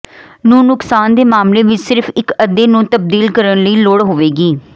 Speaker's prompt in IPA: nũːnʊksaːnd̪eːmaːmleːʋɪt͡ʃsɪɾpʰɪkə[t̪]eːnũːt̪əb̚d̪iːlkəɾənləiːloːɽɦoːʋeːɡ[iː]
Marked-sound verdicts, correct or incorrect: incorrect: d̪, correct

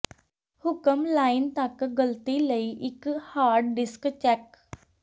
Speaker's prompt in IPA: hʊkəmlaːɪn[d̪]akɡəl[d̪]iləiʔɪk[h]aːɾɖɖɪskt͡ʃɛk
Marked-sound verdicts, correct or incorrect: incorrect: t̪, incorrect: t̪, correct

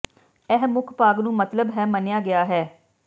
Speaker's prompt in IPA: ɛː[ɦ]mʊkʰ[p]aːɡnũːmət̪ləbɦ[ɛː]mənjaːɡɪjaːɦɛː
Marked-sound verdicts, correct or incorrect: correct, correct, correct

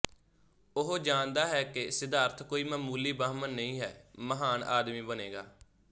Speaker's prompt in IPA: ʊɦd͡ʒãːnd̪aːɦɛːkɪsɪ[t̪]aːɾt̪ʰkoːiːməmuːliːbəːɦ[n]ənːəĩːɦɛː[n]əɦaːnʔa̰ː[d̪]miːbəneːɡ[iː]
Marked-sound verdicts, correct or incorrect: incorrect: d̪, incorrect: m, incorrect: m, correct, incorrect: aː

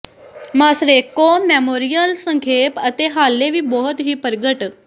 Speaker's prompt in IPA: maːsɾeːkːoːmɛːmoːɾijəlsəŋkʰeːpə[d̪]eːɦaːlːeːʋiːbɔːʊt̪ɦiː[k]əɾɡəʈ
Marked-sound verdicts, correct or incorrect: incorrect: t̪, incorrect: p

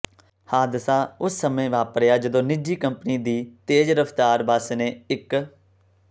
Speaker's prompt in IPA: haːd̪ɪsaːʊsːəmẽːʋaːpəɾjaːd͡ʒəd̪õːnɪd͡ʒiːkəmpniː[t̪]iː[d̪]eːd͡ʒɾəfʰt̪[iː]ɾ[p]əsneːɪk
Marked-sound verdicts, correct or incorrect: incorrect: d̪, incorrect: t̪, incorrect: aː, incorrect: b

